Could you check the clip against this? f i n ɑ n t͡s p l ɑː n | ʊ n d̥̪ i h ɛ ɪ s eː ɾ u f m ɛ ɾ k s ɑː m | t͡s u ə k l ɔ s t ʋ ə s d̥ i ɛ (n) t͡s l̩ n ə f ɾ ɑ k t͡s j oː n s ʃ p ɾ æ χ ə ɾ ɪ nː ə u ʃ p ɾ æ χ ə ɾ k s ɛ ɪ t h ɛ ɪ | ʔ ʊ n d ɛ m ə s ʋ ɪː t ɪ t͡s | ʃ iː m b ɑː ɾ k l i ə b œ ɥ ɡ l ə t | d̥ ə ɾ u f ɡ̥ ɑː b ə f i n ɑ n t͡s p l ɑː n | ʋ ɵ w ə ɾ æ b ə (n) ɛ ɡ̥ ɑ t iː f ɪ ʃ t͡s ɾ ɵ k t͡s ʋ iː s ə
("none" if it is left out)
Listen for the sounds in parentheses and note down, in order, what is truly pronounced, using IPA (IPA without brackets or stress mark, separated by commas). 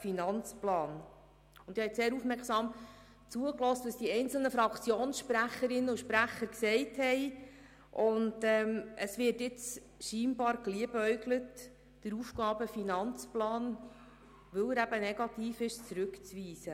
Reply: n, n